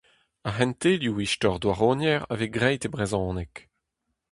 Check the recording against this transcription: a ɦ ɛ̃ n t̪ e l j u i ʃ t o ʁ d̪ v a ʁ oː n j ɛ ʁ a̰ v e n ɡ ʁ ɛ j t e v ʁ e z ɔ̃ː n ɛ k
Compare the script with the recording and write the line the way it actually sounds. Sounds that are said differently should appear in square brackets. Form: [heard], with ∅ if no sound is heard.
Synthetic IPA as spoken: a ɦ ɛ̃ n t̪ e l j u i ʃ t [ɔ] ʁ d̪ [w] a ʁ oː n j ɛ ʁ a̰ v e [∅] ɡ ʁ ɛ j t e [b] ʁ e z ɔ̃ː n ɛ k